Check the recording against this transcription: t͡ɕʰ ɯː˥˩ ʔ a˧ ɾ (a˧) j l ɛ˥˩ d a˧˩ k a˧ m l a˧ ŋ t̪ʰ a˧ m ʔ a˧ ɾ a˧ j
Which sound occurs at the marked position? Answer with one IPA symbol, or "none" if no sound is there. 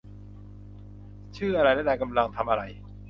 a˧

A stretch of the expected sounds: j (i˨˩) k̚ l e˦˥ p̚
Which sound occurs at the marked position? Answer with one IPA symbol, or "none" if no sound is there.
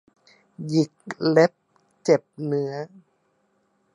i˨˩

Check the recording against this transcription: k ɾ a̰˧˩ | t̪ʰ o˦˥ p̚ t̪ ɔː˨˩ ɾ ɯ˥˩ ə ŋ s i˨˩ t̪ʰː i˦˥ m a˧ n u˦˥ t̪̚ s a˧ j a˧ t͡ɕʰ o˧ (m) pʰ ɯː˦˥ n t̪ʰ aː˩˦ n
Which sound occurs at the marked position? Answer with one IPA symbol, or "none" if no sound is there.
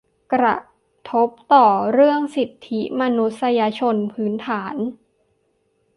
n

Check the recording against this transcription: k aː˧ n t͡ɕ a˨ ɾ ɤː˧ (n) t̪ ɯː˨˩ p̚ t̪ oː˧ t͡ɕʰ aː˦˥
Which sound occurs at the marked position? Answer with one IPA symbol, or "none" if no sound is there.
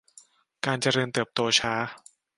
n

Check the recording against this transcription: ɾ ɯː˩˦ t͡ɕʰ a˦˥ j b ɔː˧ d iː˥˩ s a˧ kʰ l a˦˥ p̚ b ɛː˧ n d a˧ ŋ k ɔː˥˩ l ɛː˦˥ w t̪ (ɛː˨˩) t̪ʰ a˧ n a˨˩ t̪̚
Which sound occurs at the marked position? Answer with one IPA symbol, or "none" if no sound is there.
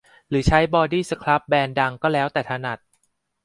ɛː˨˩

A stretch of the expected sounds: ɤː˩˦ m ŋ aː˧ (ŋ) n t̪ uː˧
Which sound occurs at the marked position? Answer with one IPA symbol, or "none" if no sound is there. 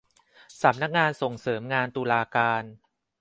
none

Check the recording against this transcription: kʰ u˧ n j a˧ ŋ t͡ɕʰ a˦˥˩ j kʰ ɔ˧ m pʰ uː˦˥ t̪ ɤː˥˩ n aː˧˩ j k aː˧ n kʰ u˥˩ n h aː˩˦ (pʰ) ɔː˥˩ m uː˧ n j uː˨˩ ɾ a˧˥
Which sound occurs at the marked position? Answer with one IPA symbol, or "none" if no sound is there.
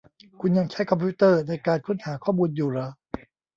kʰ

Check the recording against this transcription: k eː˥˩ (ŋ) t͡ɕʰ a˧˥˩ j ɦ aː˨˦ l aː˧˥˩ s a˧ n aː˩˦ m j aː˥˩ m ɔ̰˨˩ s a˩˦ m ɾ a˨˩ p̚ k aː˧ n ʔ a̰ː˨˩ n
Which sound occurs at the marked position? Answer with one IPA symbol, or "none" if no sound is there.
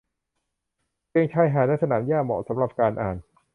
ŋ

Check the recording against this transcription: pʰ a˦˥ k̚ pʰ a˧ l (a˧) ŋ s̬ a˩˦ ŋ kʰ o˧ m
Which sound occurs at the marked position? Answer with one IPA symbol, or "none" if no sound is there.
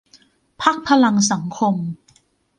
a˧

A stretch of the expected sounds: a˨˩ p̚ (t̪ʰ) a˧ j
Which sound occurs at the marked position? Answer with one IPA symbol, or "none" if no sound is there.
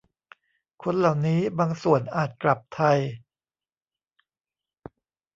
t̪ʰ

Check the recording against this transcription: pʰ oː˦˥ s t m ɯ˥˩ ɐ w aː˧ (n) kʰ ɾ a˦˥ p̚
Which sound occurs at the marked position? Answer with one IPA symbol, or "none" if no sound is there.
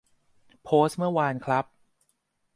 n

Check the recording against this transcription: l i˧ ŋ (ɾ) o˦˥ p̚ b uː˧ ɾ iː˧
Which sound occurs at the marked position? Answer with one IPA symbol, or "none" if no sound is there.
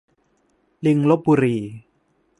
l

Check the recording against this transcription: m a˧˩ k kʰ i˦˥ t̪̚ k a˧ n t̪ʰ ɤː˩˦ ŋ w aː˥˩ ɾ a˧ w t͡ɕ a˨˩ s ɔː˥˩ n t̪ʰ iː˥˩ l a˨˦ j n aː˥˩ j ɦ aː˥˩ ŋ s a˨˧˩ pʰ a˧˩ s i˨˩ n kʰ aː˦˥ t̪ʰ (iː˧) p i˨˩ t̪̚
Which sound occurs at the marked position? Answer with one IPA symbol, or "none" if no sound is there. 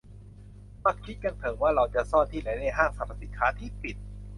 iː˥˩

